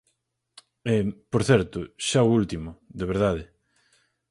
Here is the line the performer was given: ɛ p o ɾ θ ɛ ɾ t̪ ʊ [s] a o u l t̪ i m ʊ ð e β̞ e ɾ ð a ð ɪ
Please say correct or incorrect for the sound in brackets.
incorrect